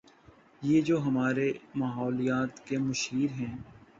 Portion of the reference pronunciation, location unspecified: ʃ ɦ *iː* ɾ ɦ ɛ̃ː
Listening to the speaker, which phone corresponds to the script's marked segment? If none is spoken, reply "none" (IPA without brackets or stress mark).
iː